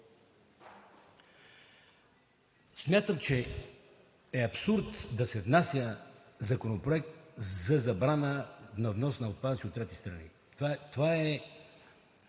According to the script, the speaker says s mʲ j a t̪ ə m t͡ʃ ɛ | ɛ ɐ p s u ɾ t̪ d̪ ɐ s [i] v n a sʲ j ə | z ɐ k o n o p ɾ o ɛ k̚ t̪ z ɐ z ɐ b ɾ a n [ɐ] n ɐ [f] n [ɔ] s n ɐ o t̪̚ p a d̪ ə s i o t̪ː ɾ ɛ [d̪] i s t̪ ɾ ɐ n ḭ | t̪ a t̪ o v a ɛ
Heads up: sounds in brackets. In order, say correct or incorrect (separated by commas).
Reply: incorrect, incorrect, incorrect, correct, incorrect